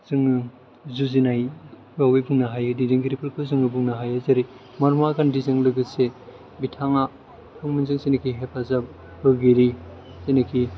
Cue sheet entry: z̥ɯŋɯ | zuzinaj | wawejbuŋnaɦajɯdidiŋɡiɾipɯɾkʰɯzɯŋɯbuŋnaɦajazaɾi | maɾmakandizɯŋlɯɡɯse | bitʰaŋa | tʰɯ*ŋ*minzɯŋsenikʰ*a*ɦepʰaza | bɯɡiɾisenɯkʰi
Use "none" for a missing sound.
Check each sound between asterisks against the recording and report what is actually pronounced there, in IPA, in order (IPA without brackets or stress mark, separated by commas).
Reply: ŋ, i